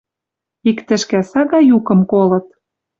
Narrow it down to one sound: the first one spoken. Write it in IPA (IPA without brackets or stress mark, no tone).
i